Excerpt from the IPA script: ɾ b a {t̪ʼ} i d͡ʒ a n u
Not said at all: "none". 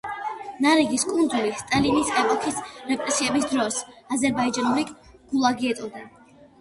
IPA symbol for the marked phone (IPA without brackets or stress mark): none